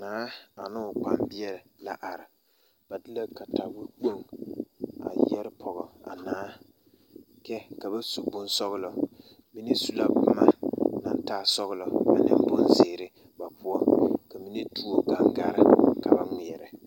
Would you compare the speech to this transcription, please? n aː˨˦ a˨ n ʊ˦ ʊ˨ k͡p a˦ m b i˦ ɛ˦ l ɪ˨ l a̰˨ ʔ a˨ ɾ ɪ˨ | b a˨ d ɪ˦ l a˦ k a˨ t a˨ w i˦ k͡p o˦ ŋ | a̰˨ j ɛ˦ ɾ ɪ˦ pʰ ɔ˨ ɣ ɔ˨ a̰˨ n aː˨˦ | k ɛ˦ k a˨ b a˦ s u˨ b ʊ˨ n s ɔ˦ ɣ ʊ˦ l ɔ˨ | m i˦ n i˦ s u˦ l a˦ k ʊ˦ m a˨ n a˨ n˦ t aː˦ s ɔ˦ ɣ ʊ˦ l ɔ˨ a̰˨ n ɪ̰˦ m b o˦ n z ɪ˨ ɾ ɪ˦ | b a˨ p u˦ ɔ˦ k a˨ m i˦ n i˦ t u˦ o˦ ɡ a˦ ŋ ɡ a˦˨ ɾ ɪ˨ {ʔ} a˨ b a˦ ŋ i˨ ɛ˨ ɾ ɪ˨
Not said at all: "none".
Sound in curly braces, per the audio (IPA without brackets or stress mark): k